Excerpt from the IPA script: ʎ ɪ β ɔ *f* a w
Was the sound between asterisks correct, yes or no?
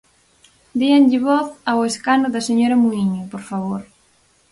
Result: no